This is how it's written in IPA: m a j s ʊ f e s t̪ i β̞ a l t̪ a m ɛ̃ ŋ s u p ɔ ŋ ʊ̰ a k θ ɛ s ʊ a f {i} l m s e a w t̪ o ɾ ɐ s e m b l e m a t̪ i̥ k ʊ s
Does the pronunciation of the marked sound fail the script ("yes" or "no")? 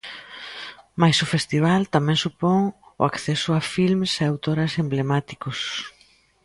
no